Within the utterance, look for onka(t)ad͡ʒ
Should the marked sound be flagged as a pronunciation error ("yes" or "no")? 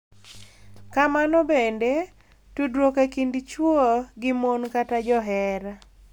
no